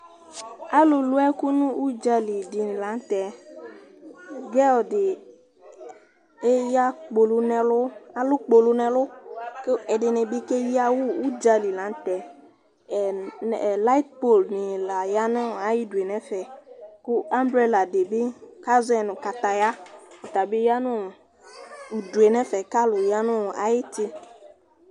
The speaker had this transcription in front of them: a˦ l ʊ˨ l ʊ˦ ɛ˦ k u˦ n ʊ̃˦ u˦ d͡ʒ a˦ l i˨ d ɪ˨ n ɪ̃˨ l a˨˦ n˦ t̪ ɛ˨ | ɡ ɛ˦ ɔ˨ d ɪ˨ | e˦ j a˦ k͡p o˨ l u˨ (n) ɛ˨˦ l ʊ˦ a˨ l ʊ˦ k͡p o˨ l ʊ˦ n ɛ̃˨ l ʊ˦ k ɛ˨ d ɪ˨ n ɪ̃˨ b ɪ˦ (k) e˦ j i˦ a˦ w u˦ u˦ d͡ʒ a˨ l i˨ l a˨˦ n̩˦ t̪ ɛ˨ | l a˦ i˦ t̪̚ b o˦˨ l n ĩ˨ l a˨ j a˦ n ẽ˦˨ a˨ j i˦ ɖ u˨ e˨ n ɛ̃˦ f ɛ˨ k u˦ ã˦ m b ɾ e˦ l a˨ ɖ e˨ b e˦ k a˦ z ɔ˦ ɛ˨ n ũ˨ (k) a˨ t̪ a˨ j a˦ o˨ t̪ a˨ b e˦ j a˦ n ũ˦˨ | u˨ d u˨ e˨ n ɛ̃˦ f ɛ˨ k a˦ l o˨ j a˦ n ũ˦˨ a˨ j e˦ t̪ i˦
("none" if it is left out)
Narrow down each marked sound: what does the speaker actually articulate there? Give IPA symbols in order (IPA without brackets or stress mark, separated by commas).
n, k, k